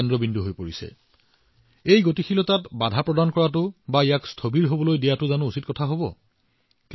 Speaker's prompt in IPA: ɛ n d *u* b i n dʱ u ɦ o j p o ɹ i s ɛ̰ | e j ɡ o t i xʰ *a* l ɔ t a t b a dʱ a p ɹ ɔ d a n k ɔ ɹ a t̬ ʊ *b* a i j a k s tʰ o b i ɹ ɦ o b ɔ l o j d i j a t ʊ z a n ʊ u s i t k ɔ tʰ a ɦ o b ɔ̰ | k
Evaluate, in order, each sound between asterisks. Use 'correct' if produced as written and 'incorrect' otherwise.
incorrect: ɔ, incorrect: i, correct

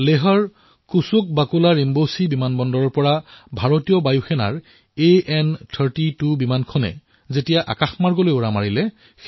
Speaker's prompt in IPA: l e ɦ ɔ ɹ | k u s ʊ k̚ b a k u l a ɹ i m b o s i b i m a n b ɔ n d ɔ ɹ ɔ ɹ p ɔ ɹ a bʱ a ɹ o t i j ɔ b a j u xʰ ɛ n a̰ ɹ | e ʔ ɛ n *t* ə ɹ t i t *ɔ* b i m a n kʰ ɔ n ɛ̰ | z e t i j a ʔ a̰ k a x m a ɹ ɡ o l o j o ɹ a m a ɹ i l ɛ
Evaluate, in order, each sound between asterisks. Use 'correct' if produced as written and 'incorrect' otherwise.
incorrect: tʰ, incorrect: u

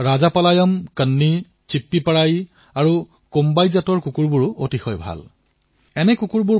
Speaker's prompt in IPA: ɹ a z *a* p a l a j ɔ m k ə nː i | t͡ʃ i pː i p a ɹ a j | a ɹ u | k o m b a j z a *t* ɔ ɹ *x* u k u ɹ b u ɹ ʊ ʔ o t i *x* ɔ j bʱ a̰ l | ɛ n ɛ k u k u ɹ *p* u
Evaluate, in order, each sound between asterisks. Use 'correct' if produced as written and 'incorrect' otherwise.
correct, correct, incorrect: k, correct, incorrect: b

